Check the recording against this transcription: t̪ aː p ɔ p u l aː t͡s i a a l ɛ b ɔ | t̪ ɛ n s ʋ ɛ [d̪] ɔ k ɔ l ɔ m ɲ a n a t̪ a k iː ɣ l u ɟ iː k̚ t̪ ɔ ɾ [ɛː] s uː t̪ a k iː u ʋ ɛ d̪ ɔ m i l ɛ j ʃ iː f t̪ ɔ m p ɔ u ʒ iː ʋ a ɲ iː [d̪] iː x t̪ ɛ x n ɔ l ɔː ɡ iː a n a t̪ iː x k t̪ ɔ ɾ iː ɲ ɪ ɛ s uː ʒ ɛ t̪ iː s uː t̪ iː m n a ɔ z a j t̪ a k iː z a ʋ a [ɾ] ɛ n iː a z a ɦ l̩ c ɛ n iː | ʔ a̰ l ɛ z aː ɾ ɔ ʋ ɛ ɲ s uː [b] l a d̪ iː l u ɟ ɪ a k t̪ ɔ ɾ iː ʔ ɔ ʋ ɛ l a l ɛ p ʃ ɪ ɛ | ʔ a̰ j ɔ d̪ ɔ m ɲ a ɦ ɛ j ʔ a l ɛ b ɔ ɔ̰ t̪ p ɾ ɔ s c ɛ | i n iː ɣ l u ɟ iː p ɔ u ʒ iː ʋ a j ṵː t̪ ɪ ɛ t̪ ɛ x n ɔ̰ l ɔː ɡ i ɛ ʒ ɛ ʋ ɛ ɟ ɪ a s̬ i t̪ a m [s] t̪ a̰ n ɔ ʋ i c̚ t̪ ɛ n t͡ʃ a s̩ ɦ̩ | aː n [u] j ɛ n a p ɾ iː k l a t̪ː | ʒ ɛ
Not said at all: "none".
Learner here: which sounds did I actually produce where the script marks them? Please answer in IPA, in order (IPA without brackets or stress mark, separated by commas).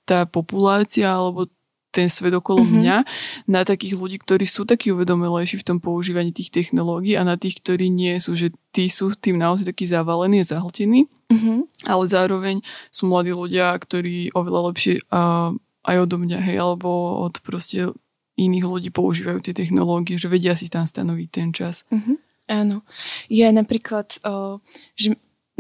d̪, iː, t̪, l, m, s, ɔ